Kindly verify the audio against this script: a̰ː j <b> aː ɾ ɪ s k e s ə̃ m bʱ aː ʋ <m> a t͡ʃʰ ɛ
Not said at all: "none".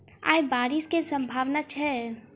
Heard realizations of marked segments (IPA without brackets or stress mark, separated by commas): b, n